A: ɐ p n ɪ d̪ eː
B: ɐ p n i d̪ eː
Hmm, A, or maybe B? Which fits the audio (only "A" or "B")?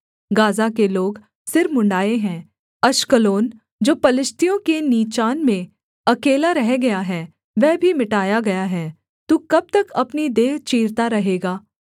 B